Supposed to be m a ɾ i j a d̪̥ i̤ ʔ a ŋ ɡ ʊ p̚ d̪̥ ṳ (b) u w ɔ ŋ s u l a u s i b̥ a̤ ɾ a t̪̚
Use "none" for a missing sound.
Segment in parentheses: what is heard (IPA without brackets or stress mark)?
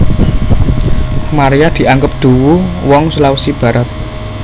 w